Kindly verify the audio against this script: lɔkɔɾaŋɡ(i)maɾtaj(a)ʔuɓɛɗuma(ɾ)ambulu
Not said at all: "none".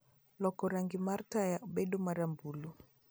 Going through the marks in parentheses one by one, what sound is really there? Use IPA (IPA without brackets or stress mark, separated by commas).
i, a, ɾ